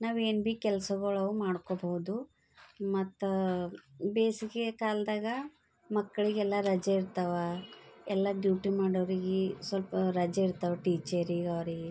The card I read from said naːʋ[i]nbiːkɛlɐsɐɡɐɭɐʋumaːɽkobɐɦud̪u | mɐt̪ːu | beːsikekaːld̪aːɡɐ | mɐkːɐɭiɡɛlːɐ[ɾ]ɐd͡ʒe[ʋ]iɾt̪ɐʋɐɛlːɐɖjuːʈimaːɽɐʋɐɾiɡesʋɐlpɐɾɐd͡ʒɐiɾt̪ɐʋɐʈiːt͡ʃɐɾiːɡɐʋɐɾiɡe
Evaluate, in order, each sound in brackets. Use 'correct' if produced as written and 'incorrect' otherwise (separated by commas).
incorrect, correct, incorrect